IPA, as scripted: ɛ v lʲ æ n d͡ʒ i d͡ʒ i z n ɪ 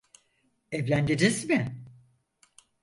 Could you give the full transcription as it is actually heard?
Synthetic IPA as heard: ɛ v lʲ æ n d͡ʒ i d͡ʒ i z m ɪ

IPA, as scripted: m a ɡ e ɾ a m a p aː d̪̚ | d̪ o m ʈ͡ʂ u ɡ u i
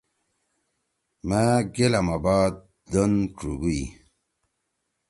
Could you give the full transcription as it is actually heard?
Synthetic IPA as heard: m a ɡ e l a m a b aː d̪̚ | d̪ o n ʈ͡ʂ u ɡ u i

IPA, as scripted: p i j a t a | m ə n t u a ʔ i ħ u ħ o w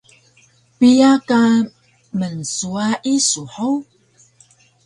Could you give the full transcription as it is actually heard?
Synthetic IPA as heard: p i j a k a | m ə n s u a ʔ i s u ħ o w

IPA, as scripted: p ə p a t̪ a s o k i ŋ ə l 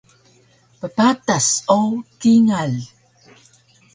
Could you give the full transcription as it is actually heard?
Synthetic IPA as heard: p ə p a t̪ a s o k i ŋ a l

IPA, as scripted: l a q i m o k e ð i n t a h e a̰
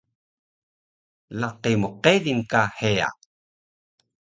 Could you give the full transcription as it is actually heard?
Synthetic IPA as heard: l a q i m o q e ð i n k a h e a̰

